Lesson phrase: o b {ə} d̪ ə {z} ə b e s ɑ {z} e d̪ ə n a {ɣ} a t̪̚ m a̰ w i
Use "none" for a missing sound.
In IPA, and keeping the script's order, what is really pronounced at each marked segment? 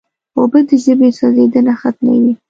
ə, ʒ, z, x

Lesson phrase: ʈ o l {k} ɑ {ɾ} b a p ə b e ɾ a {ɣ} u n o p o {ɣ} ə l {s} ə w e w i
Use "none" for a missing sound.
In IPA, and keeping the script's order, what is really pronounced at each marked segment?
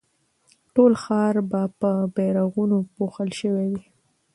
x, ɾ, ɣ, x, ʃ

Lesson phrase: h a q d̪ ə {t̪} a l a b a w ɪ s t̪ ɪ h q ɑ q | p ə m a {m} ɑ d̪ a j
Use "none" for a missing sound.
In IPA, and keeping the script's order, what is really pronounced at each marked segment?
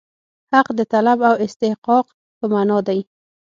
t̪, n

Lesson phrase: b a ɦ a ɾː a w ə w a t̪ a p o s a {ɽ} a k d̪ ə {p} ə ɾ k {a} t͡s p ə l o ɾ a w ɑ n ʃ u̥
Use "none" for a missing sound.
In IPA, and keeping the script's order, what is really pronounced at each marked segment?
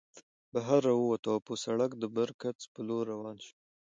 ɽ, b, a

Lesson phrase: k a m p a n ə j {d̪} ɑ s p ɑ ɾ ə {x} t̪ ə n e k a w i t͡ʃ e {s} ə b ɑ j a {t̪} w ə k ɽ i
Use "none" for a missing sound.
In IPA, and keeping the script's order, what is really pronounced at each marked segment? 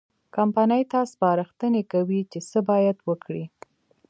t̪, x, s, d̪

